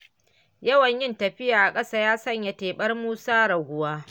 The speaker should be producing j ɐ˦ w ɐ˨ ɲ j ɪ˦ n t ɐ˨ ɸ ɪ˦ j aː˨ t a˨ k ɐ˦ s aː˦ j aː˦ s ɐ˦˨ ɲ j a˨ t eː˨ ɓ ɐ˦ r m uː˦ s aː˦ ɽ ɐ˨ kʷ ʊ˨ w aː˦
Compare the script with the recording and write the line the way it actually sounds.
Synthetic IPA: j ɐ˦ w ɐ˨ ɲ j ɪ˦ n t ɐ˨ ɸ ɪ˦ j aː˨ ʔ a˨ kʼ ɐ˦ s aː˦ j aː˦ s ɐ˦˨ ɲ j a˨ t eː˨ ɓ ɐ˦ r m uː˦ s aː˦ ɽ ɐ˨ ɡʷ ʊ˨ w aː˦